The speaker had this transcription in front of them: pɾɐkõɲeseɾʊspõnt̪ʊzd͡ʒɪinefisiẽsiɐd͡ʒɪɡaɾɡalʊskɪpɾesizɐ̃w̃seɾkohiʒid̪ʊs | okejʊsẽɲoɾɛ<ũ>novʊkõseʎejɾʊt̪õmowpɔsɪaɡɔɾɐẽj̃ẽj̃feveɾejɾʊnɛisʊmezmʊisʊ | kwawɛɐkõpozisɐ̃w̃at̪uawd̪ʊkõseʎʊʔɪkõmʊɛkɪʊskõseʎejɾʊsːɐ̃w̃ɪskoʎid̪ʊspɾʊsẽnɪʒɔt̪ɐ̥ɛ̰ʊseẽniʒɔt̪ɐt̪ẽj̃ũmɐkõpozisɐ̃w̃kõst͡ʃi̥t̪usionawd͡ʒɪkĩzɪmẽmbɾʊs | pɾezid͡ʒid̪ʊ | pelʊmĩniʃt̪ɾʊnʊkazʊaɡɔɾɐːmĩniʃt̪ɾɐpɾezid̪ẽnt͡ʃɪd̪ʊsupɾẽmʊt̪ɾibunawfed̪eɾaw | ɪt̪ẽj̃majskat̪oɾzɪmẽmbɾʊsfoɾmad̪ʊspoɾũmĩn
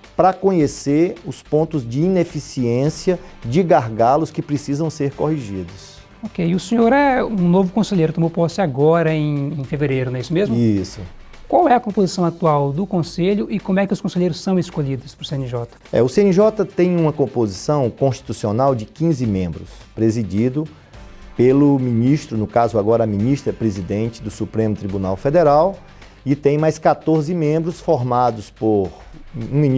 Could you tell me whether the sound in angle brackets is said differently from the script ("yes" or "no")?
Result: no